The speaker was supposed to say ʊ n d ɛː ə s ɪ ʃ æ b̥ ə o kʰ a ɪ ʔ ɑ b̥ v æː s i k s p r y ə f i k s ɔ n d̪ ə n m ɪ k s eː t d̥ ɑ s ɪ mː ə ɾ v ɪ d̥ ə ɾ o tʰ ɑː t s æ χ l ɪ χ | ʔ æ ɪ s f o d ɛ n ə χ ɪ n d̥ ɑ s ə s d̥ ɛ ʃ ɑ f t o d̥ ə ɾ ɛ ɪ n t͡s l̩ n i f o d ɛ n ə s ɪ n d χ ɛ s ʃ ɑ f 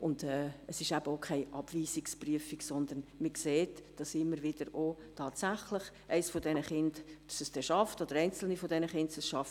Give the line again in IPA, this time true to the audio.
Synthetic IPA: ʊ n d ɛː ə s ɪ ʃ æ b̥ ə o kʰ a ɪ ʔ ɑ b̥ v iː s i k s p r y ə f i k s ɔ n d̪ ə n m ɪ k s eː t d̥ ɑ s ɪ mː ə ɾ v ɪ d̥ ə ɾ o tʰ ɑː t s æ χ l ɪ χ | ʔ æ ɪ s f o d ɛ n ə χ ɪ n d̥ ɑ s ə s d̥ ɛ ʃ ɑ f t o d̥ ə ɾ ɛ ɪ n t͡s l̩ n i f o d ɛ n ə χ ɪ n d s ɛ s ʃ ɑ f

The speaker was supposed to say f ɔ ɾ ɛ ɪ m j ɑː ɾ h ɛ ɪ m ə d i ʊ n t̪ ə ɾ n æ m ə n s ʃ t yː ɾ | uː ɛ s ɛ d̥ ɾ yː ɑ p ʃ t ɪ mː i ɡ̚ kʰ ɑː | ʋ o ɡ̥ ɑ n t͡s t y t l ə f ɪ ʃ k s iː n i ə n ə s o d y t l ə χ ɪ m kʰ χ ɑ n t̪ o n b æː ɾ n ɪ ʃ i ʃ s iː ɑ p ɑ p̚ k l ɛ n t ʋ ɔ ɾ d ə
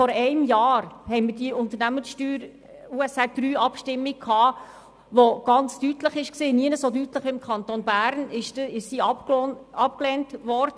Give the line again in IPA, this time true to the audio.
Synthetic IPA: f ɔ ɾ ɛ ɪ m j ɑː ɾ h ɛ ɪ m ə d i ʊ n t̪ ə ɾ n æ m ə n s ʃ t yː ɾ | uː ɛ s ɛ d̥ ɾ yː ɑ p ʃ t ɪ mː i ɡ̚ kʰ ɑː | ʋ o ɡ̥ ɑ n t͡s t y t l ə χ ɪ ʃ k s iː n i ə n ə s o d y t l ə χ ɪ m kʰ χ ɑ n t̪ o n b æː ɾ n ɪ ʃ ɪ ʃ s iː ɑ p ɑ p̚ k l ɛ n t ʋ ɔ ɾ d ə

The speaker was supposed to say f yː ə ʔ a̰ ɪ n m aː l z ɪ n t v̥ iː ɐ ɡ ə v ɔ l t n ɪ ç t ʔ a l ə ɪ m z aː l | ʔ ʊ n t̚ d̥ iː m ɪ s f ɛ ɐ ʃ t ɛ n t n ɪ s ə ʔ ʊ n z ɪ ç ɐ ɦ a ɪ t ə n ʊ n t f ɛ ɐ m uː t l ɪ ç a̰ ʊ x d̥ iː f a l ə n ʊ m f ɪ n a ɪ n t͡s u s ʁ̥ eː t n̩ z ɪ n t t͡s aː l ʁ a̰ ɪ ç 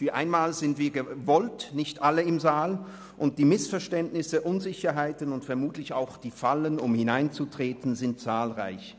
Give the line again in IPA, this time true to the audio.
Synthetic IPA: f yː ɐ ʔ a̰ ɪ n m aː l z ɪ n t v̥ iː ɐ ɡ ə v ɔ l t n ɪ ç t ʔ a l ə ɪ m z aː l | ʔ ʊ n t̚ d̥ iː m ɪ s f ɛ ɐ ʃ t ɛ n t n ɪ s ə ʔ ʊ n z ɪ ç ɐ ɦ a ɪ t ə n ʊ n t f ɛ ɐ m uː t l ɪ ç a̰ ʊ x d̥ iː f a l ə n ʊ m h ɪ n a ɪ n t͡s u t ʁ̥ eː t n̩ z ɪ n t t͡s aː l ʁ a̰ ɪ ç

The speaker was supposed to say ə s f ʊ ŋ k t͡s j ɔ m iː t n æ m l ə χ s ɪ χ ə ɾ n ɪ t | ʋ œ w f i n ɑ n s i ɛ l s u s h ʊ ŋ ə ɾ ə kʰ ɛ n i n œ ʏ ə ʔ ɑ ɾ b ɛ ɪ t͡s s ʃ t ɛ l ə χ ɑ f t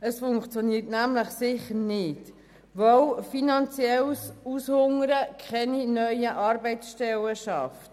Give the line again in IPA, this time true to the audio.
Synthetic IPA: ə s f ʊ ŋ k t͡s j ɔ n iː t n æ m l ə χ s ɪ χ ə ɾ n ɪ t | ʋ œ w f i n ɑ n t͡s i ɛ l s u s h ʊ ŋ ə ɾ ə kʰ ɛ n i n œ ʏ ə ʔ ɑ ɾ b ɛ ɪ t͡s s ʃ t ɛ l ə ʃ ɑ f t

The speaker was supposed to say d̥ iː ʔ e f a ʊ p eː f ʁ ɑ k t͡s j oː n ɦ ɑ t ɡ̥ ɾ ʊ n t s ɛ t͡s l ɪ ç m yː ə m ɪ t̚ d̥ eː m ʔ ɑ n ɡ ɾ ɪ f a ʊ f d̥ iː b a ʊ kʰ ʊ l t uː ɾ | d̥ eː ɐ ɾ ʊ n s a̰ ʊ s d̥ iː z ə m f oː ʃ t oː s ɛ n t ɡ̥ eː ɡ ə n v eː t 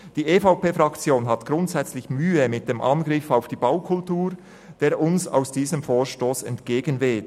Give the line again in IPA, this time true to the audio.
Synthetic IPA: d̥ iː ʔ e f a ʊ p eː f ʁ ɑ k t͡s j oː n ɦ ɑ t ɡ̥ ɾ ʊ n t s ɛ t͡s l ɪ ç m yː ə m ɪ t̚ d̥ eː m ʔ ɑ n ɡ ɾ ɪ f a ʊ f d̥ iː b a ʊ kʰ ʊ l t uː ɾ | d̥ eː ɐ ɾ ʊ n s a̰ ʊ s d̥ iː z ə m f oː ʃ t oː s ɛ n t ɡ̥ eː ɡ ə n v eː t

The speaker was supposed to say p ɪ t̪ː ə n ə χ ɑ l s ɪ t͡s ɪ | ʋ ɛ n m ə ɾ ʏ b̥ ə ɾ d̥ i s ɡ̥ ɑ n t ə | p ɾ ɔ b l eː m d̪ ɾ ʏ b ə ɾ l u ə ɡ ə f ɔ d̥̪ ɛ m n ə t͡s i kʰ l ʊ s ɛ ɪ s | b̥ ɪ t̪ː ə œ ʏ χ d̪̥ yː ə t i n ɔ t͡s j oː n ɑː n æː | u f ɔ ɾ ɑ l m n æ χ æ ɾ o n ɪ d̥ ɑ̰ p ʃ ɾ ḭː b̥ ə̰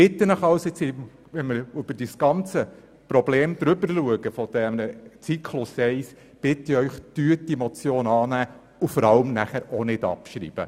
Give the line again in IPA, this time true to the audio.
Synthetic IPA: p ɪ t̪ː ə n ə χ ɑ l s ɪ t͡s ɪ | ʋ ɛ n m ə ɾ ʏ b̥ ə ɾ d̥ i s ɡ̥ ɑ n t͡s ə | p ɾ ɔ b l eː m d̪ ɾ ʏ b ə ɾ l u ə ɡ ə f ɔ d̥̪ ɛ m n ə t͡s i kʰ l ʊ s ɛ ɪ s | b̥ ɪ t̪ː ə œ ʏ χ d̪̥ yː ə t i m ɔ t͡s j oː n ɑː n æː | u f ɔ ɾ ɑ l m n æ χ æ ɾ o n ɪ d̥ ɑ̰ p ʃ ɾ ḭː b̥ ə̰

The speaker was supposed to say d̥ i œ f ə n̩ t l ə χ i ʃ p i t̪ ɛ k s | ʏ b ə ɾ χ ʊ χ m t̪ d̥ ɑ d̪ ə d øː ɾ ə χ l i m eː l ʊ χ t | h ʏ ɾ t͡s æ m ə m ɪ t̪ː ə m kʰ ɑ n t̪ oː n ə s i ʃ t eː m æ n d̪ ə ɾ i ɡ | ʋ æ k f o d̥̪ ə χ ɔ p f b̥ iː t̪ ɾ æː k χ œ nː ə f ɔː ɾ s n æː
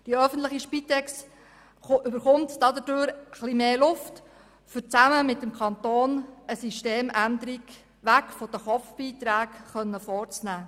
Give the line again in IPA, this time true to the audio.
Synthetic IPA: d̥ i œ f ə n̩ t l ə χ i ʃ p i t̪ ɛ k s | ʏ b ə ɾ χ ʊ m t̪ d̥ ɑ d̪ ə d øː ɾ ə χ l i m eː l ʊ f t | f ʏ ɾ t͡s æ m ə m ɪ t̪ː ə m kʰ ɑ n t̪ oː n ə s i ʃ t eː m æ n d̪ ə ɾ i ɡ | ʋ æ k f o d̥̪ ə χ ɔ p f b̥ iː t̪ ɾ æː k χ œ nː ə f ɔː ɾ t͡s n æː

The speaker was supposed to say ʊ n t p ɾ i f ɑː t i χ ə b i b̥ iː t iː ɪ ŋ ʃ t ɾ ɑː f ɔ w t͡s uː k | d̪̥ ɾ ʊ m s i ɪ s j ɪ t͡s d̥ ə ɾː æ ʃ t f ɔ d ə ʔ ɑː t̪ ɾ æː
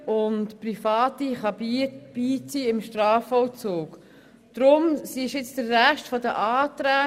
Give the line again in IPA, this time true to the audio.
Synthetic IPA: ʊ n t p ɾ i f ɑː t i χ ɑ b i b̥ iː t͡s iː ɪ m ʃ t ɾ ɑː f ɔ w t͡s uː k | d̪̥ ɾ ʊ m s i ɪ ʃ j ɪ t͡s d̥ ə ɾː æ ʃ t f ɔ d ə ʔ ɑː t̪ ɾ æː

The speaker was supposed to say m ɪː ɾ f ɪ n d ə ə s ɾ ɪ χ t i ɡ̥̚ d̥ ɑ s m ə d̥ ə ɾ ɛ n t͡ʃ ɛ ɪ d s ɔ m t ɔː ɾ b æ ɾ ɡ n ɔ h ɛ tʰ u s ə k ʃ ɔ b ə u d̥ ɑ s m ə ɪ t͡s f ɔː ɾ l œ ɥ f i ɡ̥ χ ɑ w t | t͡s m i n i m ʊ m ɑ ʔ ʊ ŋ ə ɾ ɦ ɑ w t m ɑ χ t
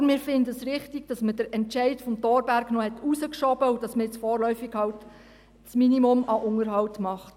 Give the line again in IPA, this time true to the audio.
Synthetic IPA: m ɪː ɾ f ɪ n d ə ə s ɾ ɪ χ t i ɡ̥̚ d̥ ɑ s m ə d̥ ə ɾ ɛ n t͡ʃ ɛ ɪ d f ɔ m t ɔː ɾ b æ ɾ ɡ n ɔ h ɛ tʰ u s ə k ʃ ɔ b ə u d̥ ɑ s m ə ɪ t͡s f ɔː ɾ l œ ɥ f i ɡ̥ h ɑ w t | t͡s m i n i m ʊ m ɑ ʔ ʊ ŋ ə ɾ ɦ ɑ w t m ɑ χ t

